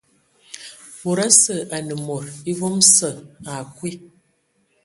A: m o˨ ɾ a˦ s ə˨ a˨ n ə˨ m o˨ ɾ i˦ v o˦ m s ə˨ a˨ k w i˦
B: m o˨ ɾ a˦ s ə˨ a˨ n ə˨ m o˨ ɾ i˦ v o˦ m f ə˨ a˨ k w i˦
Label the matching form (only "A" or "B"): A